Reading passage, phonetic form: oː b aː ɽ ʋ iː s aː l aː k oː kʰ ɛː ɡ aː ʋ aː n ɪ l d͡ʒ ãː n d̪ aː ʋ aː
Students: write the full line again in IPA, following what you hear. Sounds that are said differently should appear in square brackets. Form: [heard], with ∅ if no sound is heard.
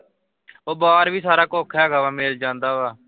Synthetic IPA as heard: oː b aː [ɾ] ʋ iː s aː [ɾ] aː k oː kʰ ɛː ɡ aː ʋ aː [m] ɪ l d͡ʒ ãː n d̪ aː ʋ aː